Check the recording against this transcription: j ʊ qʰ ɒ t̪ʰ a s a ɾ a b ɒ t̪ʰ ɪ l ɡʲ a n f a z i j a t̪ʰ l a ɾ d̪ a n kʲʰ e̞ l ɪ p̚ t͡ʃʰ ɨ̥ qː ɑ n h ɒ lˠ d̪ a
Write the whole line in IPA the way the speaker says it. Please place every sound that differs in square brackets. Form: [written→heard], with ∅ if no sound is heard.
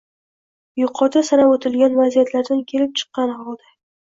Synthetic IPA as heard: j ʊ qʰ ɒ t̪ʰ a s a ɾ a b [ɒ→o] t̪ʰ ɪ l ɡʲ a n [f→v] a z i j a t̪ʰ l a ɾ d̪ a n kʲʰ e̞ l ɪ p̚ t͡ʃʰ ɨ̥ qː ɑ n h ɒ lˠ d̪ a